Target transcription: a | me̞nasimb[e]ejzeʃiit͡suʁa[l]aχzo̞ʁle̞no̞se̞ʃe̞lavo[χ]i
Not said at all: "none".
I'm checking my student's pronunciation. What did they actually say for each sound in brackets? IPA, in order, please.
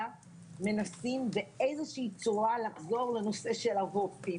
e, l, f

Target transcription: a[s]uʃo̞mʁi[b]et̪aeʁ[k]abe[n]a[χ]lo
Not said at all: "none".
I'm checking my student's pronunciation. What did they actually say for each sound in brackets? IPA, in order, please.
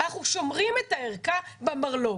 χ, m, k, m, ʁ

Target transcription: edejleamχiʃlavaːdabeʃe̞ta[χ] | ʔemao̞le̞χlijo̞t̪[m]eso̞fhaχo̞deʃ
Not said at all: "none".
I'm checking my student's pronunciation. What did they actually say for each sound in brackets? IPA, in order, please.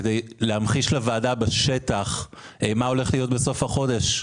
χ, b

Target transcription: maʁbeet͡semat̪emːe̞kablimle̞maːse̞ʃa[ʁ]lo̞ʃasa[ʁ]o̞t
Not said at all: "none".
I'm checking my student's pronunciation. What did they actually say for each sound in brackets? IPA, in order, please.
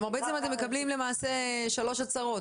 none, ʁ

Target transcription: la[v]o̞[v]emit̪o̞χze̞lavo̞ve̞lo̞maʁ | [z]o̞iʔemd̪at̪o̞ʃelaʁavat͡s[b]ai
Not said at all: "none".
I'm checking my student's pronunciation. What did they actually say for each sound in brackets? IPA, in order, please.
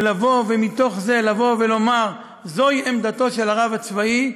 v, v, z, v

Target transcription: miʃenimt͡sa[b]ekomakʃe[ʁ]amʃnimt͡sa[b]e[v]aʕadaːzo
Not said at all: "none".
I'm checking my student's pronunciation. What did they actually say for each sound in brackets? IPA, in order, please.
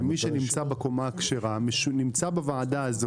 b, ʁ, b, v

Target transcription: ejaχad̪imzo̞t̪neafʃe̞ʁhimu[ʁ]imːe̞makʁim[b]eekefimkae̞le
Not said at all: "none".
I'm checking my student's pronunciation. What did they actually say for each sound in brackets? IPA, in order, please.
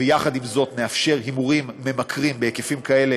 ʁ, b

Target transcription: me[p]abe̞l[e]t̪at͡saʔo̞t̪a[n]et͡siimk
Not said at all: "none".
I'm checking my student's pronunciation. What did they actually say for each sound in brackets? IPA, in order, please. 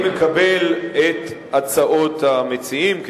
k, e, m

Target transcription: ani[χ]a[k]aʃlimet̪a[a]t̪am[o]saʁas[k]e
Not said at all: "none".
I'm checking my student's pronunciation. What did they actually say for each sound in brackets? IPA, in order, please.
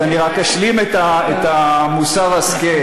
ʁ, k, e, u, k

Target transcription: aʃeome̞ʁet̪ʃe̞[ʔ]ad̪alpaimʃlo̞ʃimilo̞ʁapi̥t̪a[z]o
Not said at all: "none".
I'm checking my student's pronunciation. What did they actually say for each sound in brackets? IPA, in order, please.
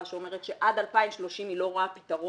ʔ, ʁ

